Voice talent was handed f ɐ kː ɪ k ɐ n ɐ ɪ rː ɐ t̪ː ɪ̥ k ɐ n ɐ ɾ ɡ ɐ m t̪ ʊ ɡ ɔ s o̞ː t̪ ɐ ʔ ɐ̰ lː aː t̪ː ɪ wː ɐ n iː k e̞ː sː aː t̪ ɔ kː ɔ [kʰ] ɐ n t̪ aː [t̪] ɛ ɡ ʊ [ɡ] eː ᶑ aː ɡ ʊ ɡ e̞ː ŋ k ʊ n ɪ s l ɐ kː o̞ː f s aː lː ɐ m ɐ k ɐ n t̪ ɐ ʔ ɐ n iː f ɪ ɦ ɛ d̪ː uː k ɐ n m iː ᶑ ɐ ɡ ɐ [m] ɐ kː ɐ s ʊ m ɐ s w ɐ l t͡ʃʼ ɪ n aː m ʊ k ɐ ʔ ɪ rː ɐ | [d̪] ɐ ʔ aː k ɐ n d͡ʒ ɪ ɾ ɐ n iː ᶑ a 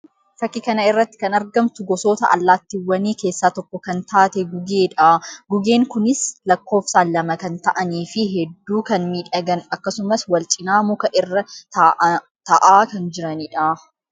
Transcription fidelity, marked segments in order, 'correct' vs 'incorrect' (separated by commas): incorrect, correct, correct, incorrect, incorrect